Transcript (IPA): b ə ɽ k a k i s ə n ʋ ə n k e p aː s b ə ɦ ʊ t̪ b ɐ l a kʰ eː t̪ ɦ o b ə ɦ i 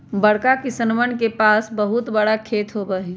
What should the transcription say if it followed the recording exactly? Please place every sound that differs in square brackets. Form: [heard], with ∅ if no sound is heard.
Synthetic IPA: b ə ɽ k a k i s ə n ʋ ə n k e p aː s b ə ɦ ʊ t̪ b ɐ [ɽ] a kʰ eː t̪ ɦ o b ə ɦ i